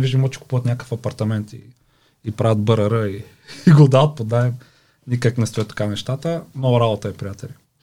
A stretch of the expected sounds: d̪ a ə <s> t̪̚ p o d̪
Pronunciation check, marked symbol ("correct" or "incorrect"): incorrect